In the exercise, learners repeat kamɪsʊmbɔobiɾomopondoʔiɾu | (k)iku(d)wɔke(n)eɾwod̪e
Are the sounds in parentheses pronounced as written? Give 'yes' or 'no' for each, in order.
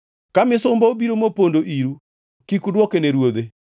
yes, yes, yes

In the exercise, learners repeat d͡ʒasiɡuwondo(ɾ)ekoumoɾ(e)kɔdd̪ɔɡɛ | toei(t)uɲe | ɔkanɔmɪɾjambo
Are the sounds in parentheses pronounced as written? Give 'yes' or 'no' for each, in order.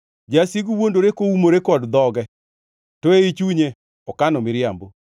yes, yes, no

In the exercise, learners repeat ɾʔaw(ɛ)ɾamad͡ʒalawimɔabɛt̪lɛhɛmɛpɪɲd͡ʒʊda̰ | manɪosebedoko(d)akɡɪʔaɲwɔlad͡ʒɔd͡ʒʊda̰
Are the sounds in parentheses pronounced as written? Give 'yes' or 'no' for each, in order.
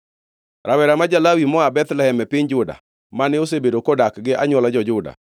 yes, yes

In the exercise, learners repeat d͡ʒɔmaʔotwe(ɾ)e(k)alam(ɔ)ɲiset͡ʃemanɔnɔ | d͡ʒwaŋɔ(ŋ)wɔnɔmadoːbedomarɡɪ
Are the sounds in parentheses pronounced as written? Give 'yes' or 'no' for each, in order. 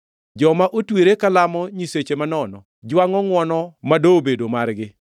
yes, yes, yes, yes

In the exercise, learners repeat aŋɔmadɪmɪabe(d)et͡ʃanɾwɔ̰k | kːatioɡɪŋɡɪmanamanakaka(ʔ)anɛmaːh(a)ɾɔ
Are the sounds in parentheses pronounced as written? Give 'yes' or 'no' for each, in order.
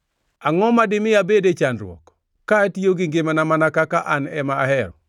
yes, yes, no

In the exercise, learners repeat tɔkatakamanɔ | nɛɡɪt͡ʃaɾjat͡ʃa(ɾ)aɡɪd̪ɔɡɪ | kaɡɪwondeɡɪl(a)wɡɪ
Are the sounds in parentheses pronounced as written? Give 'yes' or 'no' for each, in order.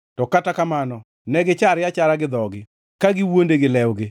yes, no

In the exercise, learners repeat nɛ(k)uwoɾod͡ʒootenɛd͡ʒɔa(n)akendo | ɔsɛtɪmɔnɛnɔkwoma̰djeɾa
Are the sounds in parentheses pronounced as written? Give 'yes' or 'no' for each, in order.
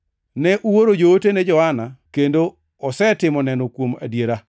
no, yes

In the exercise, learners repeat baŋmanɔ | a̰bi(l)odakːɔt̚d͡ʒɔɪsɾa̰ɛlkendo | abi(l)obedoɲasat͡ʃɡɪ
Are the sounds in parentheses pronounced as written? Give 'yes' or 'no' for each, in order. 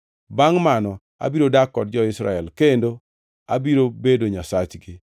no, no

